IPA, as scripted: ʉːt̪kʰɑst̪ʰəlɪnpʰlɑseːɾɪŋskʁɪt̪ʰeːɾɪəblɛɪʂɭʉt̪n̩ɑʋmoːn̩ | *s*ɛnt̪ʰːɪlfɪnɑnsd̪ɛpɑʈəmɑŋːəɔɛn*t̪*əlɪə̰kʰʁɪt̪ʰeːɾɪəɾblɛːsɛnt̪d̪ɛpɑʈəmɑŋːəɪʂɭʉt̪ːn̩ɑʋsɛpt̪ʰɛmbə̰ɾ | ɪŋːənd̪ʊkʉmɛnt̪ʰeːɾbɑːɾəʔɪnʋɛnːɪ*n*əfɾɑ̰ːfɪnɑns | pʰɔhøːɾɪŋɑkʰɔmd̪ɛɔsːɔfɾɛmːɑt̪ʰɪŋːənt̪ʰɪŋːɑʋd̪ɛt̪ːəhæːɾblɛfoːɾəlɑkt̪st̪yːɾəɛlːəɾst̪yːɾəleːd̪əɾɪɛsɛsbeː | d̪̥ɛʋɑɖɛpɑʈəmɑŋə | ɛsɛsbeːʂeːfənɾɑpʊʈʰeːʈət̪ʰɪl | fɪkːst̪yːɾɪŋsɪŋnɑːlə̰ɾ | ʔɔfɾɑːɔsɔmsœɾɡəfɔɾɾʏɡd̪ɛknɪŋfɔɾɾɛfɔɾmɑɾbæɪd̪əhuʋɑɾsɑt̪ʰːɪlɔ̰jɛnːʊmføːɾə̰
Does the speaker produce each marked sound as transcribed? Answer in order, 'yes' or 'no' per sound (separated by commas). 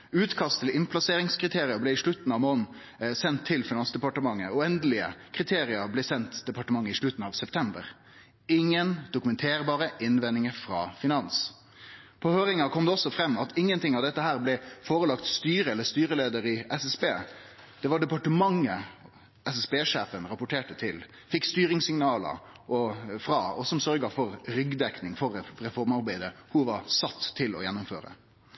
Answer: yes, no, no